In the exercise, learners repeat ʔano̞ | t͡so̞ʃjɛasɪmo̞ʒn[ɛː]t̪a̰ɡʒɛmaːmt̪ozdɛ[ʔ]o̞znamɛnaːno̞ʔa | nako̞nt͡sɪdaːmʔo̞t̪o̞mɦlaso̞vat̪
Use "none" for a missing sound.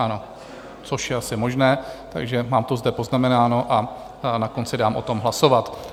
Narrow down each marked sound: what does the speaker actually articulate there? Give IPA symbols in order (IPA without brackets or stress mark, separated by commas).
ɛː, p